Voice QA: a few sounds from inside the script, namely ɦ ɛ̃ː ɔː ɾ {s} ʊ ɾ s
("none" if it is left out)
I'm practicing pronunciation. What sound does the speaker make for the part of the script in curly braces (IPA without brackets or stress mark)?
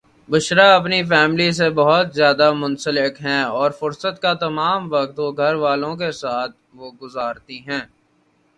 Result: f